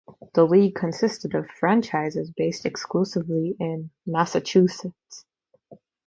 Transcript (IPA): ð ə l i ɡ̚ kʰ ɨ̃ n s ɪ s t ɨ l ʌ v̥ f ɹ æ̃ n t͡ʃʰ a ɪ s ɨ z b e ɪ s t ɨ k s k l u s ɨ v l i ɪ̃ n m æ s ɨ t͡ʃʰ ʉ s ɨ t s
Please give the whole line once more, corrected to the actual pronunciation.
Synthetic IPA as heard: ð ə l i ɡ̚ kʰ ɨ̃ n s ɪ s t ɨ ɾ ʌ v̥ f ɹ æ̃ n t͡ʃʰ a ɪ z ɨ z b e ɪ s t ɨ k s k l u s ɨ v l i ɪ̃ n m æ s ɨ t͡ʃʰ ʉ s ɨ t s